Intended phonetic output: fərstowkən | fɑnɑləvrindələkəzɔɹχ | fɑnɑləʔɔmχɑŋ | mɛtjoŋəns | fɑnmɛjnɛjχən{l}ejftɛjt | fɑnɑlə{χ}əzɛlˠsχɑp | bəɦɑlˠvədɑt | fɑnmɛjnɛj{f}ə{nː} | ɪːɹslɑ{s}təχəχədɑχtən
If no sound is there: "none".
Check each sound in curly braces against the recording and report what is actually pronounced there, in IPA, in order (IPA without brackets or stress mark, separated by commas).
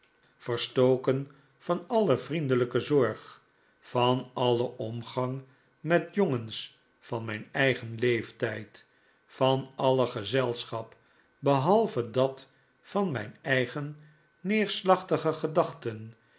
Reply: l, χ, χ, nː, χ